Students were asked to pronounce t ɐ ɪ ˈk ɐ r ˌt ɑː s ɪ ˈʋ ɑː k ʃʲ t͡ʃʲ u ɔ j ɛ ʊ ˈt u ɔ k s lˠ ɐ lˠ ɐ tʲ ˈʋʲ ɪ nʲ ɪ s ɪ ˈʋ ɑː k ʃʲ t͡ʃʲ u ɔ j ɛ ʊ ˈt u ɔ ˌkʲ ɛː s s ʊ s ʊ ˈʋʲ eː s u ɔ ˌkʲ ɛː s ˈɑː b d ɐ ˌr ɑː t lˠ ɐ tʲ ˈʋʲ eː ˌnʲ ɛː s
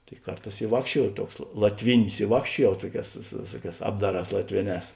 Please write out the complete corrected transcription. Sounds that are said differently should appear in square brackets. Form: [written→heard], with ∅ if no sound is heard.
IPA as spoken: t ɐ ɪ ˈk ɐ r ˌt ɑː s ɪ ˈʋ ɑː k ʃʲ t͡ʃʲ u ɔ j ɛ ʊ ˈt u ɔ k s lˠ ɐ lˠ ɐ tʲ ˈʋʲ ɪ nʲ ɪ s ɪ ˈʋ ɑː k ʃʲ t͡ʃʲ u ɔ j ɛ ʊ ˈt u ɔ ˌkʲ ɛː s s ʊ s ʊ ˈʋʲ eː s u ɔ ˌkʲ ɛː s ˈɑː b d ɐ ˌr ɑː [t→s] lˠ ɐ tʲ ˈʋʲ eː ˌnʲ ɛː s